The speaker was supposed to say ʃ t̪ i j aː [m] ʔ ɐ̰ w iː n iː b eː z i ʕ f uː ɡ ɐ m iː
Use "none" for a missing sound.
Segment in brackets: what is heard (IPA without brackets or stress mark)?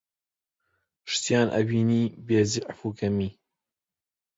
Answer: n